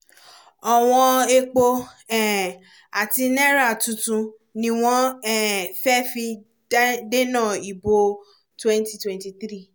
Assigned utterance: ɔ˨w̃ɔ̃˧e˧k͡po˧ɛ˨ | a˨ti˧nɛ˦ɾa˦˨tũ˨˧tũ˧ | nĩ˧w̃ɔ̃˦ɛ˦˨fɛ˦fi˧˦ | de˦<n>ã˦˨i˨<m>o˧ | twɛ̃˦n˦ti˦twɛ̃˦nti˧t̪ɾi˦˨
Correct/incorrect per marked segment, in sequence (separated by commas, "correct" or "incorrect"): correct, incorrect